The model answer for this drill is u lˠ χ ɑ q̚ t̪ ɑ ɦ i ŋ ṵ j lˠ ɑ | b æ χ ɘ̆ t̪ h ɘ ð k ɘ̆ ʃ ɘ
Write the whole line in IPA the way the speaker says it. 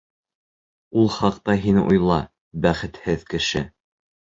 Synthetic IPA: u lˠ χ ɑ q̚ t̪ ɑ ɦ i n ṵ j lˠ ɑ | b æ χ ɘ̆ t̪ h ɘ ð k ɘ̆ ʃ ɘ